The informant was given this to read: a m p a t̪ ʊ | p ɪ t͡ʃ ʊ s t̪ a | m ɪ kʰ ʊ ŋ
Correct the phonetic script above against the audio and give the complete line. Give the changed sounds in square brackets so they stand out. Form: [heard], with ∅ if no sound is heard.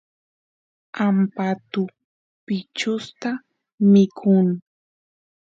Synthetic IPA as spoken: a m p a t̪ ʊ | p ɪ t͡ʃ ʊ s t̪ a | m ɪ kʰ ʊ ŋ